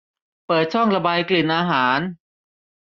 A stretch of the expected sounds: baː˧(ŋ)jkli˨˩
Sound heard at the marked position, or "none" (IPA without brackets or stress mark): none